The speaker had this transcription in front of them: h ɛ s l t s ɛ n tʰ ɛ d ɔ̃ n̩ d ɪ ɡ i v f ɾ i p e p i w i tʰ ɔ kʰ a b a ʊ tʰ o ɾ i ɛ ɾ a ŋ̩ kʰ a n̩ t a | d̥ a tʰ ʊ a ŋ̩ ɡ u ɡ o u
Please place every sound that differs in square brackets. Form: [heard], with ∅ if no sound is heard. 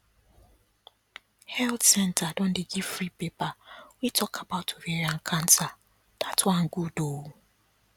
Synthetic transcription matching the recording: h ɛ [∅] l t s ɛ n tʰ [a] d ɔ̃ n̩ d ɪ ɡ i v f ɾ i p e p [a] w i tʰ ɔ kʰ a b a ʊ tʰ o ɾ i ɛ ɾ a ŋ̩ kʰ a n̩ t a | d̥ a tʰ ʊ a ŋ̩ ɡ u [d] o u